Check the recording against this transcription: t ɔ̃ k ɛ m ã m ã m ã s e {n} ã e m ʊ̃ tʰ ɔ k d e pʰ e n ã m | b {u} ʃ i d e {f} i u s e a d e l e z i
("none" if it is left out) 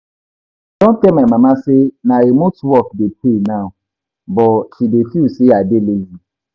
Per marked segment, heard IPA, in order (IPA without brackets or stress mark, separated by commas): n, ɔ, f